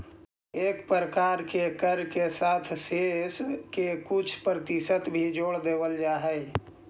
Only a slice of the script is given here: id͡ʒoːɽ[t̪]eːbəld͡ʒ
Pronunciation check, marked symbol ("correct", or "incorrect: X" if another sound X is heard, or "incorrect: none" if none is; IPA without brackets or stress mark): incorrect: d̪